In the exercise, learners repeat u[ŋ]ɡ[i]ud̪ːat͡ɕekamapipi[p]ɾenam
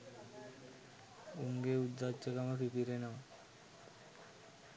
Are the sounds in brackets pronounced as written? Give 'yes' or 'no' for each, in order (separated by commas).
yes, no, no